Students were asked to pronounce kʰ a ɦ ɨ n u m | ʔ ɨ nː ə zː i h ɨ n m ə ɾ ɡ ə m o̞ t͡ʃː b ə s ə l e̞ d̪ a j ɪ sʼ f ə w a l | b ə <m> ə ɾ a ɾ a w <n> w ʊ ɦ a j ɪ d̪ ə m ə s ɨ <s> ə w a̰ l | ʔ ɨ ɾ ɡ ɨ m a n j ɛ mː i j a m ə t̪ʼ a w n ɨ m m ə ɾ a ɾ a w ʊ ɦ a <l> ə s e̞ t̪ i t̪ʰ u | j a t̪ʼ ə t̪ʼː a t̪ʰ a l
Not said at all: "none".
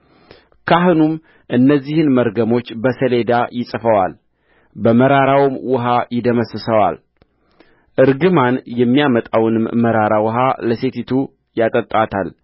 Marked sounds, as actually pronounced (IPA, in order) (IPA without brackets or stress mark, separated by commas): m, m, s, l